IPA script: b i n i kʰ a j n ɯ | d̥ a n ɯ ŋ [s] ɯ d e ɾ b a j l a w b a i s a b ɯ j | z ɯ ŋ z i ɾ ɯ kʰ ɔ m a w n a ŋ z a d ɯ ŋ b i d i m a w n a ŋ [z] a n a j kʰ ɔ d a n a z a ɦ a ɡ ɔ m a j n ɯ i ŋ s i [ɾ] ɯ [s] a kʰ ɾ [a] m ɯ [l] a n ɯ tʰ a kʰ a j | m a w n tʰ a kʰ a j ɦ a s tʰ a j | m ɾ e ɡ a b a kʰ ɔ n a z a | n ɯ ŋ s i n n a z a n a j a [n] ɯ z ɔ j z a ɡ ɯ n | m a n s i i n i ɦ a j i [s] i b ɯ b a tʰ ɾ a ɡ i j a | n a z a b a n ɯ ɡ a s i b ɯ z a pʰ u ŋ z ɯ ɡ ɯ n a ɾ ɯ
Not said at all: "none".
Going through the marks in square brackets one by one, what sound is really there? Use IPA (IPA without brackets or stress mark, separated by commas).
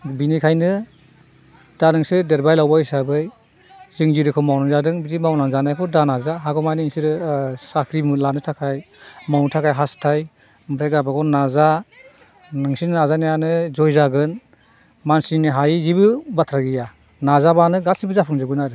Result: s, z, ɾ, s, i, l, n, z